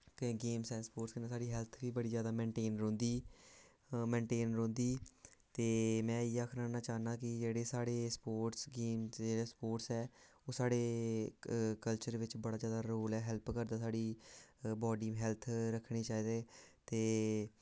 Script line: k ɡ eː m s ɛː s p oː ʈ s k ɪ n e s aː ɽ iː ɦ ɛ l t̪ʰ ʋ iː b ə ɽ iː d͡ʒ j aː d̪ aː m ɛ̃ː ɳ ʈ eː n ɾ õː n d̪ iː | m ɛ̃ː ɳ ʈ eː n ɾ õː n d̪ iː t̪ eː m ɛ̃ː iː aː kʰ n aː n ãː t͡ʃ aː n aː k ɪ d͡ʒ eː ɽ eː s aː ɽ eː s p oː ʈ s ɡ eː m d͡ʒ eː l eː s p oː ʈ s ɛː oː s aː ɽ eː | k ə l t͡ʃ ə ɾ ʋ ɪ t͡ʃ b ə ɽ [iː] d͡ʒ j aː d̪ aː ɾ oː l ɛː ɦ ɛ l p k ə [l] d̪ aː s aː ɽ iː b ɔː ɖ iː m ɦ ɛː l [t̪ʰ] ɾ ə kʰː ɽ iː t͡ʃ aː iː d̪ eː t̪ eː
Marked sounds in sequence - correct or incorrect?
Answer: incorrect: aː, incorrect: ɾ, correct

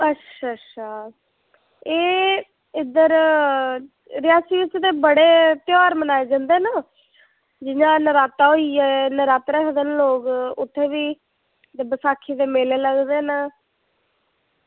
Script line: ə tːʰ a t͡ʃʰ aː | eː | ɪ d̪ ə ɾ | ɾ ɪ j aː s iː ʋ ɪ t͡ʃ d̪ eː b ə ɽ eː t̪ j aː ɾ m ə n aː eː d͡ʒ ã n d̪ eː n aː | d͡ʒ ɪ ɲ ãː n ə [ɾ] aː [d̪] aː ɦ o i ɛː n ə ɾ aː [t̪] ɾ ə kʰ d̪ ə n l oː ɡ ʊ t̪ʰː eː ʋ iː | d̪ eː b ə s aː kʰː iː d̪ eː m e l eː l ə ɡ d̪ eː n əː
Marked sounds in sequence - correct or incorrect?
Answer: correct, incorrect: t̪, correct

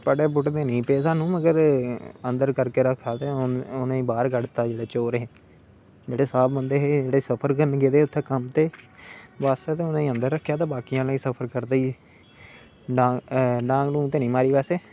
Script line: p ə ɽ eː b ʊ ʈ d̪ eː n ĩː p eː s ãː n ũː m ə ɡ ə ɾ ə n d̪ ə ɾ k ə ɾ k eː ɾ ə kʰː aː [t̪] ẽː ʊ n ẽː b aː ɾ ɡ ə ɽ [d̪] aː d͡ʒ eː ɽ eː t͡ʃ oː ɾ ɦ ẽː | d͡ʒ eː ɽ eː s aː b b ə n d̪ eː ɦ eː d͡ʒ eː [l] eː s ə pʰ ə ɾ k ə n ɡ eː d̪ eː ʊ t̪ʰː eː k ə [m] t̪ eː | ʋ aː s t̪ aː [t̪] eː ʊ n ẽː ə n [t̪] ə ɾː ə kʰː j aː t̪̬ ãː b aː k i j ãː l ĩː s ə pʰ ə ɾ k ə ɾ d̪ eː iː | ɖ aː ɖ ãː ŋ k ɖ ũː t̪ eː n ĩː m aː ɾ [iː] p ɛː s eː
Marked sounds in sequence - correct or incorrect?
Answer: correct, incorrect: t̪, incorrect: ɽ, correct, correct, incorrect: d̪, correct

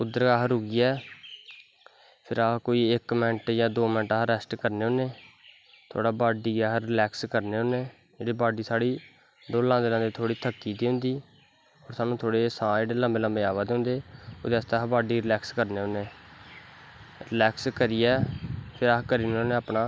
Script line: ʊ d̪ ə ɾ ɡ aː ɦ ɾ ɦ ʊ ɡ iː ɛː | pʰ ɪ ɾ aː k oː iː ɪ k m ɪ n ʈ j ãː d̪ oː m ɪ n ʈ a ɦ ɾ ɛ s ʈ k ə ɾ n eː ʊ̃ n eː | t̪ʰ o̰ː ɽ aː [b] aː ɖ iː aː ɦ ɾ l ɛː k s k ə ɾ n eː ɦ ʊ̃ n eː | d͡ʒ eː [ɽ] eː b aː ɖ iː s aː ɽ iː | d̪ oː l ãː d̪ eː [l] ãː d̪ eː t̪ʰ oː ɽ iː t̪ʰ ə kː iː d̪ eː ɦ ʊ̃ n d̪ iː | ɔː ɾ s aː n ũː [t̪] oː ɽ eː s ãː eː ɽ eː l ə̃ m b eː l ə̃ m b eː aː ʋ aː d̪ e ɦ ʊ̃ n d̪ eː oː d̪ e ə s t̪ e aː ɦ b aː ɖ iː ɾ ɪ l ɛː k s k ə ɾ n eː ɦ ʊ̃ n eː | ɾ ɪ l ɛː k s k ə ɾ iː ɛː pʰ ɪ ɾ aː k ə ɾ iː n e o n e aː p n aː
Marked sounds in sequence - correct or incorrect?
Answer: correct, correct, correct, incorrect: t̪ʰ

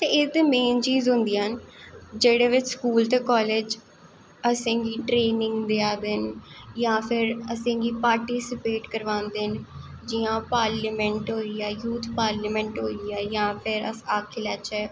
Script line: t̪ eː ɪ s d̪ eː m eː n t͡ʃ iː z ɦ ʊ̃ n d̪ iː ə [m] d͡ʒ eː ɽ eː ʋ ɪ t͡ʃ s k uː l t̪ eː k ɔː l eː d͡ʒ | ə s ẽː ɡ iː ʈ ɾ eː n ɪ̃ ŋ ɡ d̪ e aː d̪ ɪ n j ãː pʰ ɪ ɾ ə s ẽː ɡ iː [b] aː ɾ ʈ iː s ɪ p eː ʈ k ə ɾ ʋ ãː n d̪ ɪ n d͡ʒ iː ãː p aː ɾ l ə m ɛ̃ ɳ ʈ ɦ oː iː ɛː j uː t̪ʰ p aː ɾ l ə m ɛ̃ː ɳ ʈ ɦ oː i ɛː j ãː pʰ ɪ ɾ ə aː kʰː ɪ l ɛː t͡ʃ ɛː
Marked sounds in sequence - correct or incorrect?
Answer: incorrect: n, incorrect: p

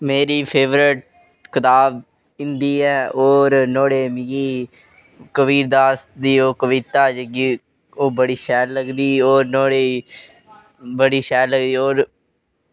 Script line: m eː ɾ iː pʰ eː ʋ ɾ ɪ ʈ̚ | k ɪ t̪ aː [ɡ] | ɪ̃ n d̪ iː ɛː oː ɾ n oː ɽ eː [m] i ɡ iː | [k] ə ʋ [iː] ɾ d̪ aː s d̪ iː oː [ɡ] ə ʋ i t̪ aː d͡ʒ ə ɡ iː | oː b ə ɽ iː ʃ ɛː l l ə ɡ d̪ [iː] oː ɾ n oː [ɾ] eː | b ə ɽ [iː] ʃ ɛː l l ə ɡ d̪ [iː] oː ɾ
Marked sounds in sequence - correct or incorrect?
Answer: incorrect: b, correct, correct, correct, incorrect: k, correct, incorrect: ɽ, correct, correct

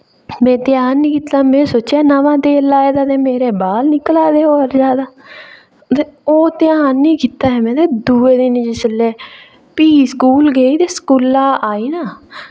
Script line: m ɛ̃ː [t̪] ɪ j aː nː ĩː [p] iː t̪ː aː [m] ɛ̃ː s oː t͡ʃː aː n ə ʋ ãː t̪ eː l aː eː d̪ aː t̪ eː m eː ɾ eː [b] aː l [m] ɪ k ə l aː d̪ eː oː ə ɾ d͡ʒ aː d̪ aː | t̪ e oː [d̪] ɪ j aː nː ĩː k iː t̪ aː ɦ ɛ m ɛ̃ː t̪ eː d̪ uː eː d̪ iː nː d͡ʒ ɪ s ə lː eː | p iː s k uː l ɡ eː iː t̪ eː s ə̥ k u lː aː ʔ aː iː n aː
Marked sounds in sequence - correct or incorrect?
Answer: correct, incorrect: k, correct, correct, incorrect: n, incorrect: t̪

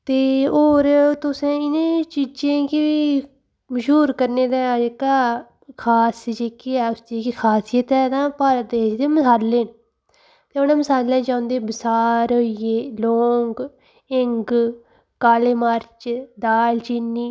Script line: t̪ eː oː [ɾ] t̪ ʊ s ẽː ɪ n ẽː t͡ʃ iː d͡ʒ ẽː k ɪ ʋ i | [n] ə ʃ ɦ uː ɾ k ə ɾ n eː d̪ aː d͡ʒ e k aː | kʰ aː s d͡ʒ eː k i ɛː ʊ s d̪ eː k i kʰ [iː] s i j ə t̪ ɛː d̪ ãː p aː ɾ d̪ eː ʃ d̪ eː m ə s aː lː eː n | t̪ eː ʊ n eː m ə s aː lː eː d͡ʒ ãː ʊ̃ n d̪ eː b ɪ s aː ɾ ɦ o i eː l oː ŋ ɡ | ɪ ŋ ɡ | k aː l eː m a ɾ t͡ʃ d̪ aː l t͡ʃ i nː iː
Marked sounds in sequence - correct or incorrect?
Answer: correct, incorrect: m, incorrect: aː

